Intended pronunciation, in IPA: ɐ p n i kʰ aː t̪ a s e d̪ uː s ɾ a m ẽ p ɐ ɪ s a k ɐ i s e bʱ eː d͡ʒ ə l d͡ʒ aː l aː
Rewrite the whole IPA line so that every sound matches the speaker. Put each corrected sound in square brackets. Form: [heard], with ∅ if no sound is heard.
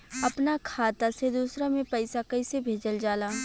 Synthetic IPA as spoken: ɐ p n [a] kʰ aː t̪ a s e d̪ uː s ɾ a m ẽ p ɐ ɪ s a k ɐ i s e bʱ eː d͡ʒ ə l d͡ʒ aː l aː